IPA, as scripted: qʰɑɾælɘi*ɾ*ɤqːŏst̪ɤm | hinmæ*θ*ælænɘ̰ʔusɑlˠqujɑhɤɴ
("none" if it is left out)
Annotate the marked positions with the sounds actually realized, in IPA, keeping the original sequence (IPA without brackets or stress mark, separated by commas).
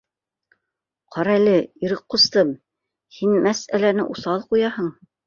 ɾ, s